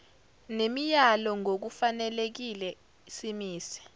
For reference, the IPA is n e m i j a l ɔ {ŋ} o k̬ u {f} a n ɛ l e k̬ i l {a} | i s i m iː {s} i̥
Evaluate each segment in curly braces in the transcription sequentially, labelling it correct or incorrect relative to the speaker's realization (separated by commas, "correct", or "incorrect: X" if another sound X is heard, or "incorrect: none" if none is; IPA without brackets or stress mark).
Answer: correct, correct, incorrect: ɛ, correct